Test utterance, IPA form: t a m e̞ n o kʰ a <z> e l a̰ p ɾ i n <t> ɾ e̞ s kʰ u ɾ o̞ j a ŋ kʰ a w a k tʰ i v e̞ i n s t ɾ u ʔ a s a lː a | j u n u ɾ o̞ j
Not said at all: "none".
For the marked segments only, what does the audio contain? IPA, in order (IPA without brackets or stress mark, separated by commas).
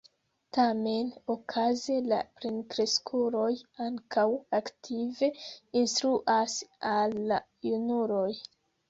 z, k